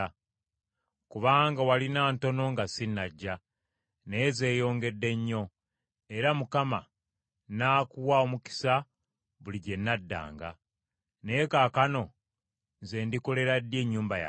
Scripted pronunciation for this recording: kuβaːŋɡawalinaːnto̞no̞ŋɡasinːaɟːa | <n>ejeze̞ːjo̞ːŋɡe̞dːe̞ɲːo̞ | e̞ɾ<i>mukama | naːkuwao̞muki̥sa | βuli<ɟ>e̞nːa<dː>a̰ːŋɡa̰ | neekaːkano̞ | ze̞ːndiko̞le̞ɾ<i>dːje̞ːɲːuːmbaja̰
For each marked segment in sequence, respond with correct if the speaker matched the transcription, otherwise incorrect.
correct, incorrect, correct, correct, incorrect

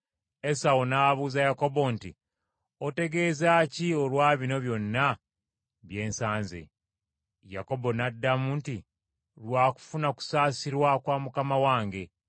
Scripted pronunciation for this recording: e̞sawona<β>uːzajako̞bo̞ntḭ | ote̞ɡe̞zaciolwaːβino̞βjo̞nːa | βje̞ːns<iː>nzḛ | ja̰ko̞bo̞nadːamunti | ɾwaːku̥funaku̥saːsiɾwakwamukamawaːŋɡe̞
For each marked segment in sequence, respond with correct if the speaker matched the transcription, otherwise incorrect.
correct, incorrect

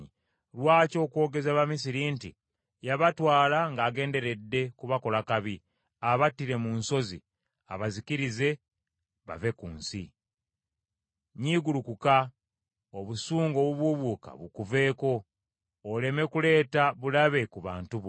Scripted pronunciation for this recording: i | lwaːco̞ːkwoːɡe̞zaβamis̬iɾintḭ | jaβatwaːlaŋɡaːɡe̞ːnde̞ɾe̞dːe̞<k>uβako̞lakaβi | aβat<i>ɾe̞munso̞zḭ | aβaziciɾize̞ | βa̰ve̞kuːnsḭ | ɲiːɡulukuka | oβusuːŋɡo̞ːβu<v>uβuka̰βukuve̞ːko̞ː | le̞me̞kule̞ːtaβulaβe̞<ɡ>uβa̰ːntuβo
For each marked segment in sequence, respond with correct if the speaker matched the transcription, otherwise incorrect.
correct, correct, incorrect, incorrect

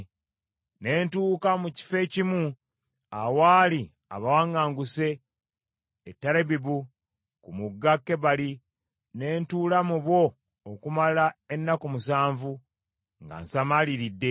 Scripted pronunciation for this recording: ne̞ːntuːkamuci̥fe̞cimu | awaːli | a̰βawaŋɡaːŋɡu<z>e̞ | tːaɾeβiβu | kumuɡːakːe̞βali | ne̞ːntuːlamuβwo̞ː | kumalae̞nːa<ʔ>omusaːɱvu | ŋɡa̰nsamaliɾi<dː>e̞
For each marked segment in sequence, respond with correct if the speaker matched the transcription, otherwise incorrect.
incorrect, incorrect, correct

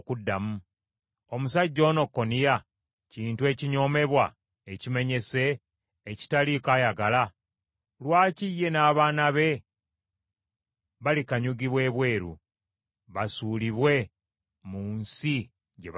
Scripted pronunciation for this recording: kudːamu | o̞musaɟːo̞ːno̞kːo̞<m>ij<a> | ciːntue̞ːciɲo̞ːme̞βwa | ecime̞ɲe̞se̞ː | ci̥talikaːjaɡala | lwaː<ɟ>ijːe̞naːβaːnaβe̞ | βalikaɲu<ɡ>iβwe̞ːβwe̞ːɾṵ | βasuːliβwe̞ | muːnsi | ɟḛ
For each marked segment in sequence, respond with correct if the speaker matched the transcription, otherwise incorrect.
incorrect, correct, incorrect, correct

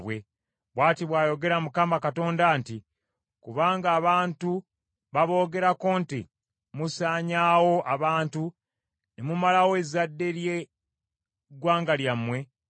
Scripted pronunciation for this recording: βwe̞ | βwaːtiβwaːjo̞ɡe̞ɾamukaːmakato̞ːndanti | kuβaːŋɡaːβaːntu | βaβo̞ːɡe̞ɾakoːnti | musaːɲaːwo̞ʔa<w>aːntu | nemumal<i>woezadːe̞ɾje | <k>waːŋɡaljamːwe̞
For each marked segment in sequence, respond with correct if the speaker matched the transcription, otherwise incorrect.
incorrect, incorrect, incorrect

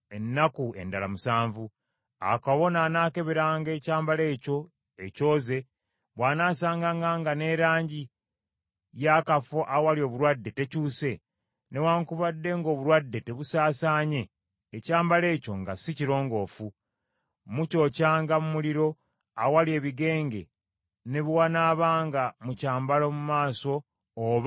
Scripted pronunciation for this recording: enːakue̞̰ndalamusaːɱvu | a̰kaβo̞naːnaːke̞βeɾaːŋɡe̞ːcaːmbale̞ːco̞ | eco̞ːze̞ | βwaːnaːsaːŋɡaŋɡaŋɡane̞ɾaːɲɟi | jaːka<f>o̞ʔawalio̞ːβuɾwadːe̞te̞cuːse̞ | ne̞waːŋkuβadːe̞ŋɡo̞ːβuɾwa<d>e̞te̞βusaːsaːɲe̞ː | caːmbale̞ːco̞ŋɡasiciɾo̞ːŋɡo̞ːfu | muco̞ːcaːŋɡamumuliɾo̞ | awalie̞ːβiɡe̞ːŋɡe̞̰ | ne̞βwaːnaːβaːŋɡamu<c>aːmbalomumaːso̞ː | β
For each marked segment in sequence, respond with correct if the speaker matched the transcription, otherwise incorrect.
correct, incorrect, correct

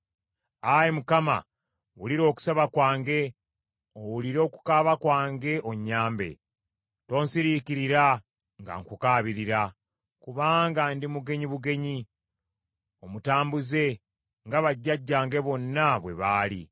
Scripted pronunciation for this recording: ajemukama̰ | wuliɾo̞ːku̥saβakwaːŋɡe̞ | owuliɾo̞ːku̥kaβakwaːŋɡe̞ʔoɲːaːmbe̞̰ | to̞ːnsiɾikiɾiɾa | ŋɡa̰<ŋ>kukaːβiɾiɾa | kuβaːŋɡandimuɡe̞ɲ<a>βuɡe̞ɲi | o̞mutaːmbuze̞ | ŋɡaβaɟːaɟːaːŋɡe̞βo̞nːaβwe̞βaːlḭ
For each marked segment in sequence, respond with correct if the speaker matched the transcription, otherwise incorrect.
correct, incorrect

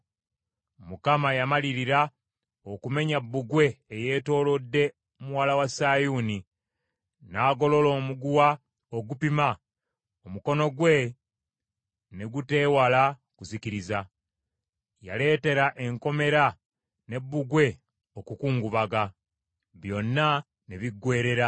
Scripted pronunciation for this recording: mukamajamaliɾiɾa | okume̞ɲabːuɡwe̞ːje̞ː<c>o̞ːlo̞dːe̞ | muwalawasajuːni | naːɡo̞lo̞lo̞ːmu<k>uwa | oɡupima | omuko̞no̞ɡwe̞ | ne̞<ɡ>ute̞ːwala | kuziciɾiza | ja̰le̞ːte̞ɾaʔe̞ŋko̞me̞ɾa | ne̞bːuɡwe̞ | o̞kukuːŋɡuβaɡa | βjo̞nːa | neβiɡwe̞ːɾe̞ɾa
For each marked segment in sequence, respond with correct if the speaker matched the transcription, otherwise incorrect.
incorrect, incorrect, correct

